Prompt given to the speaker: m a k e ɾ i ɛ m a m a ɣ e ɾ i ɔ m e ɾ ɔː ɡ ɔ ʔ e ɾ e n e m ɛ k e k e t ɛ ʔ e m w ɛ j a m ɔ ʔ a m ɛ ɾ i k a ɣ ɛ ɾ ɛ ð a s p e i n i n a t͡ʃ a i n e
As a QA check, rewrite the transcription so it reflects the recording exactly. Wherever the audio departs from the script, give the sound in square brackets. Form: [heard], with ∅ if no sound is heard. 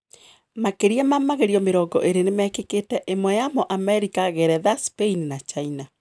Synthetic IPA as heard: m a k e ɾ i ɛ m a m a ɣ e ɾ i ɔ m e ɾ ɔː ɡ ɔ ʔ e ɾ e n e m ɛ k e k e t ɛ ʔ e m w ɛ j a m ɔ ʔ a m ɛ ɾ i k a ɣ ɛ ɾ ɛ ð a s p e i n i n a t͡ʃ a i n [a]